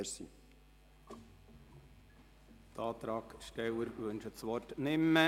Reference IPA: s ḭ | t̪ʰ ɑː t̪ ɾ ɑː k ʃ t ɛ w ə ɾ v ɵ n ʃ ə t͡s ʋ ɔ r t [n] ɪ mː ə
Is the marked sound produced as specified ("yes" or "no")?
yes